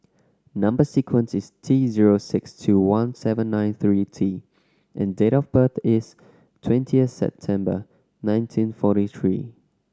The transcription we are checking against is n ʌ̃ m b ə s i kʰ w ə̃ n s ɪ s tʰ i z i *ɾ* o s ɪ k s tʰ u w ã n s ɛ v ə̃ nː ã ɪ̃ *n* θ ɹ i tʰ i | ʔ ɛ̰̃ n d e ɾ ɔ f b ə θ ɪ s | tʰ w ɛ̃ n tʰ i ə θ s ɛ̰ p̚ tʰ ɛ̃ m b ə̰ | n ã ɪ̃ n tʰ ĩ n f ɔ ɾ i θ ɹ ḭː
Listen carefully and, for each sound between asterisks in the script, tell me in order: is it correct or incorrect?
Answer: incorrect: ɹ, correct

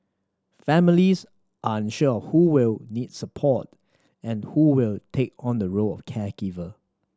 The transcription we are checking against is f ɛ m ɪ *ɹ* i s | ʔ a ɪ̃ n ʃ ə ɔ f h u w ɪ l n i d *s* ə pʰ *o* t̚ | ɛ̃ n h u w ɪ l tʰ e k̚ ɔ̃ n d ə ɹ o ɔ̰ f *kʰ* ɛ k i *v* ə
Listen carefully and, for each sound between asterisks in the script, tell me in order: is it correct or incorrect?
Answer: incorrect: l, correct, incorrect: ɔ, correct, correct

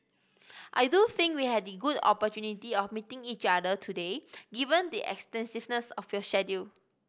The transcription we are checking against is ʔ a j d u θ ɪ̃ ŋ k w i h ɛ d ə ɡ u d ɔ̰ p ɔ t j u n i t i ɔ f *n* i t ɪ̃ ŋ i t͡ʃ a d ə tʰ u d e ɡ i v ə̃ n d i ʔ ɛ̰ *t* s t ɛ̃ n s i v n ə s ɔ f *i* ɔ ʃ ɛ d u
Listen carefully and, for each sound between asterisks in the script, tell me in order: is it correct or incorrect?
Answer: incorrect: m, incorrect: k, incorrect: j

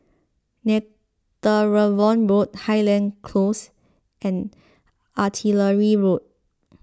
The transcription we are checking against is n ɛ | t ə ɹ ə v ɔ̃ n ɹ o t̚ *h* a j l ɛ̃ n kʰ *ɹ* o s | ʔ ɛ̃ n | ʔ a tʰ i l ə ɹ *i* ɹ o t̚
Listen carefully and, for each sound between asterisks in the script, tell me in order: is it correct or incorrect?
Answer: correct, incorrect: l, correct

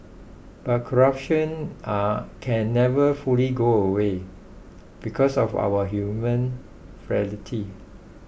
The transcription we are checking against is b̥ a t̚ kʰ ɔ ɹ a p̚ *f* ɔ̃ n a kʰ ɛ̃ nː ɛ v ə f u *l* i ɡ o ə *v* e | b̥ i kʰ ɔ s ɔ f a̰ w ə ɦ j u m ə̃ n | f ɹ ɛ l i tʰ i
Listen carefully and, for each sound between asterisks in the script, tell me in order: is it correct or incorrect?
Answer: incorrect: ʃ, correct, incorrect: w

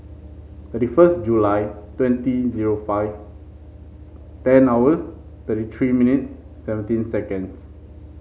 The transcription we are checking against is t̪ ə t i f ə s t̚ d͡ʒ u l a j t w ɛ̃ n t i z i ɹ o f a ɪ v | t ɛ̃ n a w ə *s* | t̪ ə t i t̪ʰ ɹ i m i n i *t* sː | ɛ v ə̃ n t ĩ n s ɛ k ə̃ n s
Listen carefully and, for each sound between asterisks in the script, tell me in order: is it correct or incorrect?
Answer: correct, correct

